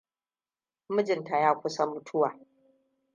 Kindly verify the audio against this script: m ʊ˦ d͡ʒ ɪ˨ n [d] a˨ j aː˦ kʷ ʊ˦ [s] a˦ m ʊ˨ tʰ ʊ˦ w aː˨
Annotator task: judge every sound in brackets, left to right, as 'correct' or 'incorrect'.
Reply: incorrect: t, correct

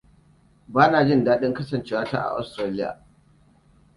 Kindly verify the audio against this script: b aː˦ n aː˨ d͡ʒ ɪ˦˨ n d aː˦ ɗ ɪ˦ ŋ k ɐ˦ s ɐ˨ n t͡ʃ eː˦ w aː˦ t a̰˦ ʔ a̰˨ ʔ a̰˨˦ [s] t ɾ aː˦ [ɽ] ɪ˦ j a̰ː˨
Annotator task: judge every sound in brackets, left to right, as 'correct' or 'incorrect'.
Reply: correct, incorrect: l

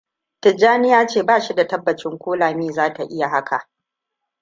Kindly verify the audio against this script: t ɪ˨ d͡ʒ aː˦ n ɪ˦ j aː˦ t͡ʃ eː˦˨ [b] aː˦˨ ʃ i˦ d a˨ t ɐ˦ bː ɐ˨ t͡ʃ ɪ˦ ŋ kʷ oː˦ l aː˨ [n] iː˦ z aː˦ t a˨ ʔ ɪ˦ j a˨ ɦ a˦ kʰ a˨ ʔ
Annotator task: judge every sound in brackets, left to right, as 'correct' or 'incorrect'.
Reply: correct, incorrect: m

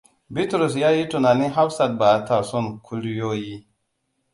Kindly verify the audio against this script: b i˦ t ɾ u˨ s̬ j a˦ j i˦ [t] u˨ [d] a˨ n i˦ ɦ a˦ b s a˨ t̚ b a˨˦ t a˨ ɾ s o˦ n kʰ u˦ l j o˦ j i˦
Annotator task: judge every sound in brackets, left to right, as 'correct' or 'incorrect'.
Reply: correct, incorrect: n

